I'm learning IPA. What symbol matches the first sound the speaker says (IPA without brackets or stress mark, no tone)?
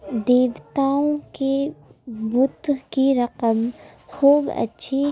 d̪